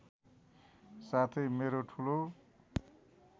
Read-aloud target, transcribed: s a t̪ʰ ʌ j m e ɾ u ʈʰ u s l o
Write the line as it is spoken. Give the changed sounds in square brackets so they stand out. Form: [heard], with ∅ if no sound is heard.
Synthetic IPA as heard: s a t̪ʰ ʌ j m e ɾ [o] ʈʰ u [∅] l o

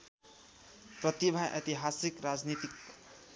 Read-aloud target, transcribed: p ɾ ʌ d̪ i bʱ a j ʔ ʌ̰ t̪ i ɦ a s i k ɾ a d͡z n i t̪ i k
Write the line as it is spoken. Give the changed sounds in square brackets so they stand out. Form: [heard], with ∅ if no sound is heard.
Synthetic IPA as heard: p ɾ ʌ [t̪] i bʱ a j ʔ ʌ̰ t̪ i ɦ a s i k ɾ a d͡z n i t̪ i k

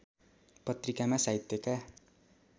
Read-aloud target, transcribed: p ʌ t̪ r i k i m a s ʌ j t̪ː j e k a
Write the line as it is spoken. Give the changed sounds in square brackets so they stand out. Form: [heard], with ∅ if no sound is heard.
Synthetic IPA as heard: p ʌ t̪ r i k [a] m a s [a] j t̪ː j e k a

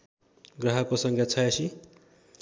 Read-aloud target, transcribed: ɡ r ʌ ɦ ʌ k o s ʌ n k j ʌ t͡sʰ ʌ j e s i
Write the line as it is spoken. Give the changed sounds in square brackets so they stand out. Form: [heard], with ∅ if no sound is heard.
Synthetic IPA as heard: ɡ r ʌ ɦ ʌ k o s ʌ [ŋ] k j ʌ t͡sʰ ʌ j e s i

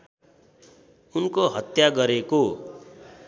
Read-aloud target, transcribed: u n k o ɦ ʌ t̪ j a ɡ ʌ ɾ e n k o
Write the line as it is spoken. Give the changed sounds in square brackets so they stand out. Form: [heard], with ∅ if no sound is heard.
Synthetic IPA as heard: u n k o ɦ ʌ t̪ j a ɡ ʌ ɾ e [∅] k o

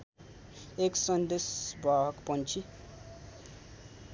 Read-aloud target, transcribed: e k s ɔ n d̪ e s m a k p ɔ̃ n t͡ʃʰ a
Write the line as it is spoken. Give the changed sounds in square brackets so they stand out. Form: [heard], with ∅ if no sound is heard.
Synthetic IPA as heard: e k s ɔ n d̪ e s [b] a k p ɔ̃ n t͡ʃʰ [i]

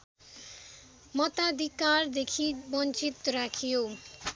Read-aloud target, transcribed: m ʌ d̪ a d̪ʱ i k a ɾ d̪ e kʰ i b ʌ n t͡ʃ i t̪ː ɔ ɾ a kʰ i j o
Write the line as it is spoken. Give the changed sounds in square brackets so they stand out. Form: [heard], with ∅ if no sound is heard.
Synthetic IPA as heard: m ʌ [t̪] a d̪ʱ i k a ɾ d̪ e kʰ i b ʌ n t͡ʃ i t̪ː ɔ ɾ a kʰ i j o

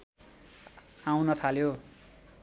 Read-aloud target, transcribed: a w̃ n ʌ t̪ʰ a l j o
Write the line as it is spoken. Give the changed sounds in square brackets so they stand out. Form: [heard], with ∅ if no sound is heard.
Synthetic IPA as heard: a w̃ n ʌ t̪ʰ a l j o

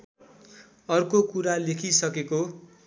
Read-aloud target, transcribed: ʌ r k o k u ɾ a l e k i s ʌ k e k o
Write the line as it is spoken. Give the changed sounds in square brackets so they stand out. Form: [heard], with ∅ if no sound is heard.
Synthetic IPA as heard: ʌ r k o k u ɾ a l e [kʰ] i s ʌ k e k o

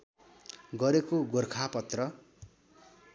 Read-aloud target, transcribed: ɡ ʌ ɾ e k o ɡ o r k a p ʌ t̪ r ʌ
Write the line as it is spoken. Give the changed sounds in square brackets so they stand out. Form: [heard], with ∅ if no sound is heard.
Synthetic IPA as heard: ɡ ʌ ɾ e k o ɡ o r [kʰ] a p ʌ t̪ r ʌ

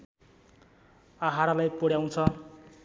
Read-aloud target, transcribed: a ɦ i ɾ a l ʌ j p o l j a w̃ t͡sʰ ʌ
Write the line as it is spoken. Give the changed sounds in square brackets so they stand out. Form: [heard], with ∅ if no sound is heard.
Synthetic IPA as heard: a ɦ [a] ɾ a l [a] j p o [ɽ] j a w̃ t͡sʰ ʌ

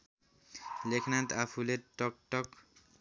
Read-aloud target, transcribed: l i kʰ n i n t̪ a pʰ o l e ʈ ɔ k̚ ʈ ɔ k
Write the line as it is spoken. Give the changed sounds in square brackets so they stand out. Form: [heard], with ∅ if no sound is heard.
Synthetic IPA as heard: l [e] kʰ n [a] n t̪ a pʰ [u] l e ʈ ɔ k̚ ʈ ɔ k

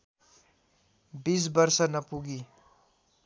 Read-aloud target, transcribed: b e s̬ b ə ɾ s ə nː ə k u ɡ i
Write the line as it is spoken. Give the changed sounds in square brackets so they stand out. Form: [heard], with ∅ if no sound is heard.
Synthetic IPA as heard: b [i] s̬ b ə ɾ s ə [n] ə [p] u ɡ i

